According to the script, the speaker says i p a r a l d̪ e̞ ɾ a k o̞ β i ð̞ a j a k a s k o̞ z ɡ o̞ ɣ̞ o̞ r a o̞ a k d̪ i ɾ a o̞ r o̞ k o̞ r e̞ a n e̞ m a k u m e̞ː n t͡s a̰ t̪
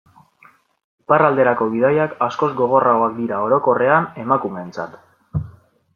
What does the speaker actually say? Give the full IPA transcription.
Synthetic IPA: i p a r a l d̪ e̞ ɾ a k o̞ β i ð̞ a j a k a s k o̞ z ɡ o̞ ɣ̞ o̞ r a o̞ a k d̪ i ɾ a o̞ ɾ o̞ k o̞ r e̞ a n e̞ m a k u m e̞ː n t͡s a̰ t̪